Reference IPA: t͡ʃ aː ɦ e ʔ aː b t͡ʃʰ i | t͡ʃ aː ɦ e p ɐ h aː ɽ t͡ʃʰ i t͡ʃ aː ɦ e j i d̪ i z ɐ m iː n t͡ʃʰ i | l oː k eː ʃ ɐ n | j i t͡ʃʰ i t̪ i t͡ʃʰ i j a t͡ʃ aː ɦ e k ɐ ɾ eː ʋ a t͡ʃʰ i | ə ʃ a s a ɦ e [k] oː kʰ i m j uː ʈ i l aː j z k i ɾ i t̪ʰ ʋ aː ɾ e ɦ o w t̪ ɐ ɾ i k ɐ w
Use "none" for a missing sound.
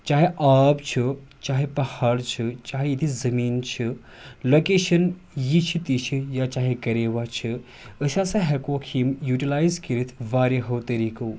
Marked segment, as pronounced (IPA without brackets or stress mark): k